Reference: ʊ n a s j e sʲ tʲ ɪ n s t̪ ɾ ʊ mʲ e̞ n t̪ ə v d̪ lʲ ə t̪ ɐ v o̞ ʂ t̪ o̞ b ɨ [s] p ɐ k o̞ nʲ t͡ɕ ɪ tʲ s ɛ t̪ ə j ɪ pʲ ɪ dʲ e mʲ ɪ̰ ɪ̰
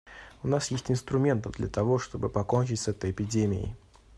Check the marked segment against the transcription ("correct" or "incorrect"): incorrect